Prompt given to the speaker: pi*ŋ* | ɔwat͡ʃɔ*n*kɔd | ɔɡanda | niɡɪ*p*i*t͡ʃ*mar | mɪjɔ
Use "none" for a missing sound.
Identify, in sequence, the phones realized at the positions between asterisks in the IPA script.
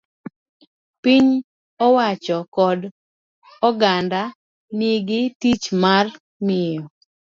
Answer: ɲ, none, t, t͡ʃ

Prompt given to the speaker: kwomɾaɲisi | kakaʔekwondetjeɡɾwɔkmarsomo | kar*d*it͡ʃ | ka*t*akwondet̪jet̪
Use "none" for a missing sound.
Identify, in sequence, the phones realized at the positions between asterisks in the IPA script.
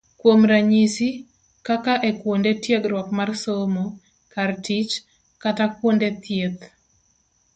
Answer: t, t

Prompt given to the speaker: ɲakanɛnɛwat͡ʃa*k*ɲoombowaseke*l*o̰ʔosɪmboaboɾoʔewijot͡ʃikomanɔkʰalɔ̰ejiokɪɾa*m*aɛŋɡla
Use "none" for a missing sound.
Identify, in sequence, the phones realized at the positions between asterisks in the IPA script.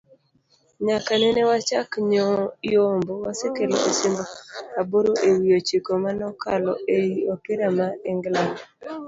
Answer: k, l, m

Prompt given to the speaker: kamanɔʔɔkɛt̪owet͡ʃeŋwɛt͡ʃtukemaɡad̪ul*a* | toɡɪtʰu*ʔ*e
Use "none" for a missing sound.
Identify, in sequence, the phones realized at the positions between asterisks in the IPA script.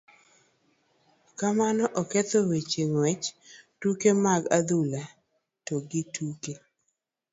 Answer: a, k

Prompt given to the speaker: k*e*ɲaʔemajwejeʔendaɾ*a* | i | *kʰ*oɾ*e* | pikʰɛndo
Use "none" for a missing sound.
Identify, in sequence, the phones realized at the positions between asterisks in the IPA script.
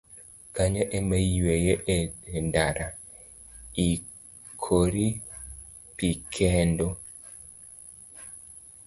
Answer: a, a, kʰ, i

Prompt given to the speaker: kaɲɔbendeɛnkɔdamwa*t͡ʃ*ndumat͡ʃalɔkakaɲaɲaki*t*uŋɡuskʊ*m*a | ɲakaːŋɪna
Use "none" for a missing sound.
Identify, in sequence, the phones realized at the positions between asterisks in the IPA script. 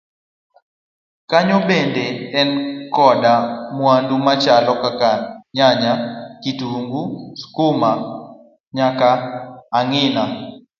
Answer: none, t, m

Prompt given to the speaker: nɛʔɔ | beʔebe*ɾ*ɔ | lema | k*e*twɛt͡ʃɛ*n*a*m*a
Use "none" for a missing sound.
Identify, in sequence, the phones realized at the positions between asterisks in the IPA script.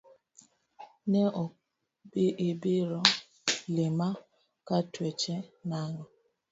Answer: ɾ, a, n, ŋ

